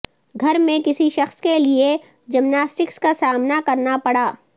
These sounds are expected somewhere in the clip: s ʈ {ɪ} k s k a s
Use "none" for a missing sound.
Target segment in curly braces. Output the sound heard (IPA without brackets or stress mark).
ɪ